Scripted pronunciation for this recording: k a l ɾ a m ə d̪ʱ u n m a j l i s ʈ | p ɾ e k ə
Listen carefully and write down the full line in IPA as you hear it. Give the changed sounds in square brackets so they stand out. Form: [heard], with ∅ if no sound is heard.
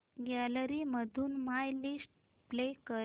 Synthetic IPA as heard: [ɡ] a l ɾ [i] m ə d̪ʱ [uː] n m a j l i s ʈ | p [l] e k ə

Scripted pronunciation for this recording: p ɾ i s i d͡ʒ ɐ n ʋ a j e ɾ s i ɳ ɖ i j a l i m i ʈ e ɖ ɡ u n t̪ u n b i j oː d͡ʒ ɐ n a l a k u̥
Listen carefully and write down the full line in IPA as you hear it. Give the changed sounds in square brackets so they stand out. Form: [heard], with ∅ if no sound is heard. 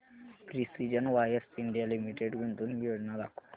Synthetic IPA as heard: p ɾ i s i d͡ʒ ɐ n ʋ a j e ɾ s i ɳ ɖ i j a l i m i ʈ e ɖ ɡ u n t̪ u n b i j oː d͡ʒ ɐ n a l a k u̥

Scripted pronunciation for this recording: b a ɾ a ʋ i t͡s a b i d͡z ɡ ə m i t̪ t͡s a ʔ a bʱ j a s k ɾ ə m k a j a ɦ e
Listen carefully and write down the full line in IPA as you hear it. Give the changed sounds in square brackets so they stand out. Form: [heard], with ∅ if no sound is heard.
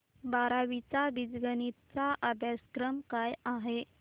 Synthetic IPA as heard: b a ɾ a ʋ i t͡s a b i d͡z ɡ ə [n] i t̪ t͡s a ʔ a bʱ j a s k ɾ ə m k a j a ɦ e

